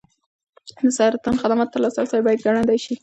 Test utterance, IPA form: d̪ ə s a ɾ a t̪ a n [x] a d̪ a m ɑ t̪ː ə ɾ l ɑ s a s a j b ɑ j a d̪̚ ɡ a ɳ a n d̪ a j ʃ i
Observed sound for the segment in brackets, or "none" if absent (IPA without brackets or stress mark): x